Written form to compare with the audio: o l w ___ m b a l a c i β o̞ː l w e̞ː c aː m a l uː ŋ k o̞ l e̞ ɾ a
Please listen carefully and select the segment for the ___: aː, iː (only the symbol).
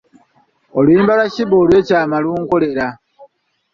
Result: iː